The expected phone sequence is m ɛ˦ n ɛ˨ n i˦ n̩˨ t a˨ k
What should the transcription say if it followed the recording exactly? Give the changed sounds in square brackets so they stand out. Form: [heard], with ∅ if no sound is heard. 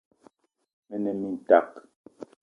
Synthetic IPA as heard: m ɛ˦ n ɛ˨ [m] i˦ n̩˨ t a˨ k